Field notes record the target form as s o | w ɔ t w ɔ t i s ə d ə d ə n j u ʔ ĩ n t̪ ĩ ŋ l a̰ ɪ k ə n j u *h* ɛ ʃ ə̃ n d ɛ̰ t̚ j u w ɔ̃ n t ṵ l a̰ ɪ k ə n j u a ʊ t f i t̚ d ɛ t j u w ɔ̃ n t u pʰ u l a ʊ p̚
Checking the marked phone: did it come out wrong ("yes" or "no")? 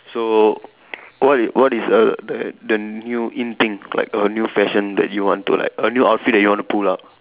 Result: yes